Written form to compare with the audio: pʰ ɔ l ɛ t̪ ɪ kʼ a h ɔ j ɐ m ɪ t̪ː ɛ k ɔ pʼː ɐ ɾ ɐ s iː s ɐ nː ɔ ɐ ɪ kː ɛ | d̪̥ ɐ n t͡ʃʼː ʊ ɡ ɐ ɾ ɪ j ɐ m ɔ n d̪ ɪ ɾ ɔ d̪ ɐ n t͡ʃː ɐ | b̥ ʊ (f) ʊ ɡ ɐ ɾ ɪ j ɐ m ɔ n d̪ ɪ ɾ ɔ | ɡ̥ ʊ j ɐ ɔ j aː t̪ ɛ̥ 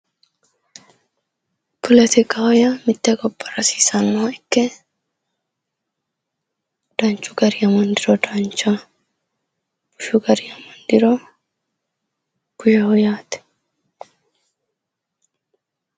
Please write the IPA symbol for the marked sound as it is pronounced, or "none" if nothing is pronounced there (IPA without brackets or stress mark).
ʃ